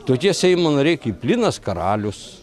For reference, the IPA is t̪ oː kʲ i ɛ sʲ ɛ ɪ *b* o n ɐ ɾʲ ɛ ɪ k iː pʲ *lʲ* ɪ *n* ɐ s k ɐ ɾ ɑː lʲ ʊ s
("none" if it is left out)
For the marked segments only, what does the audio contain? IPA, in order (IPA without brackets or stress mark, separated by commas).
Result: m, lʲ, n